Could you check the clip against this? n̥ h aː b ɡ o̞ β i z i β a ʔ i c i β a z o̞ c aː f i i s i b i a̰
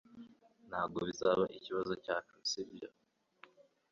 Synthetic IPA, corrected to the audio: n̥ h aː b ɡ o̞ β i z a β a ʔ i c i β a z o̞ c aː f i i s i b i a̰